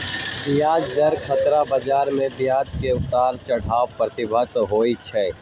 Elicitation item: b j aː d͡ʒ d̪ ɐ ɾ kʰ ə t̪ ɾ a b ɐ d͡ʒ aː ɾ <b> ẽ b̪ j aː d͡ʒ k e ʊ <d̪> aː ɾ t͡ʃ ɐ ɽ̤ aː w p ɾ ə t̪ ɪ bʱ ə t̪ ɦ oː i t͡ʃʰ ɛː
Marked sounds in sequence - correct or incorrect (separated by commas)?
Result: incorrect, incorrect